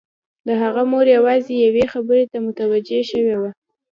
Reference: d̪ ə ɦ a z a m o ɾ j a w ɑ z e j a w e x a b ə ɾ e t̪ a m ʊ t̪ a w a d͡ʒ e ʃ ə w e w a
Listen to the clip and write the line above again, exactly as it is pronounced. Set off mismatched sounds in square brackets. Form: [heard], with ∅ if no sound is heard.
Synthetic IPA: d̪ ə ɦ a [ɣ] a m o ɾ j a w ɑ z e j a w e x a b ə ɾ e t̪ a m ʊ t̪ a w a d͡ʒ e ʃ ə w e w a